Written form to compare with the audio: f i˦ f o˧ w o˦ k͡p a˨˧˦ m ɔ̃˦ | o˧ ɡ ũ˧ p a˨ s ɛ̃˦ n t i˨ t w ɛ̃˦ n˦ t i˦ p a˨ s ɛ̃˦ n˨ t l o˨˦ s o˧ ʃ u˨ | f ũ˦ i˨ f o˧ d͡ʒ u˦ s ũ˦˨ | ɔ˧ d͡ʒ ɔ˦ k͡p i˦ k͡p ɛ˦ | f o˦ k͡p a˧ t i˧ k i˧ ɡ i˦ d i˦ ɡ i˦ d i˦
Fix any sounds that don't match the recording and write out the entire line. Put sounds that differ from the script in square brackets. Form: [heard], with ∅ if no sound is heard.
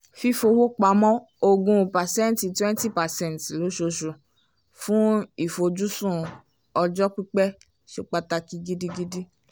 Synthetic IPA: f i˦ f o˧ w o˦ k͡p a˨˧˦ m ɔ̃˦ | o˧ ɡ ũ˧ p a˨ s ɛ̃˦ n t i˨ t w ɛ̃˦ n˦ t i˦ p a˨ s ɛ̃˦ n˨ t l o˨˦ [ʃ] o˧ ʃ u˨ | f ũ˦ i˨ f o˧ d͡ʒ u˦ s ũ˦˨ | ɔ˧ d͡ʒ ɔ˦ k͡p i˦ k͡p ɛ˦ | [ʃ] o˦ k͡p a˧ t [a˧] k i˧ ɡ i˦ d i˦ ɡ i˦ d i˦